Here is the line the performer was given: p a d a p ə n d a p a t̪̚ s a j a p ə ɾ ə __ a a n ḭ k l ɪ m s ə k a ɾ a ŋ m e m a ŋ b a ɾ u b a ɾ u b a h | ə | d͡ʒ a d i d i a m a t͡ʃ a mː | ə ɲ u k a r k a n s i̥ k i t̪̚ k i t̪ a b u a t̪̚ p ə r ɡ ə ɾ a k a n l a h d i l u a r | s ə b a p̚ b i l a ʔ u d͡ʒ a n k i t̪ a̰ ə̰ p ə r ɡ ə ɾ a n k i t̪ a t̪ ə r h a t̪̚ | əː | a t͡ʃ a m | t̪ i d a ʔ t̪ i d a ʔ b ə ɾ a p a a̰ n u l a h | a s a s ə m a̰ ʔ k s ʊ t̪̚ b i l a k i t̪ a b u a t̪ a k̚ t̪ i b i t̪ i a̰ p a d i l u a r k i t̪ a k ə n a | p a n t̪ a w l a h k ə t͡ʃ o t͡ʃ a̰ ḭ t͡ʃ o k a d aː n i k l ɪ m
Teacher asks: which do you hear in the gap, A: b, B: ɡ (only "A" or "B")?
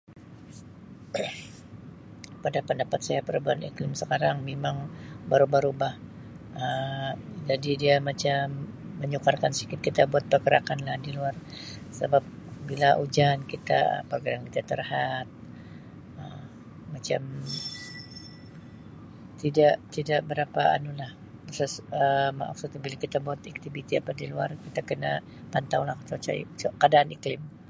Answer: A